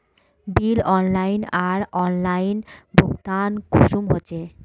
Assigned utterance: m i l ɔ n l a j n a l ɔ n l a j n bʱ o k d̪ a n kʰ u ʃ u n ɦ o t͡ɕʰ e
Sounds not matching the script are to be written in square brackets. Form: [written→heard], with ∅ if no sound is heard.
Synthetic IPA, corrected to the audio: [m→b] i l ɔ n l a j n a [l→ɾ] ɔ n l a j n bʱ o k [d̪→t̪] a n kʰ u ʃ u [n→m] ɦ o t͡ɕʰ e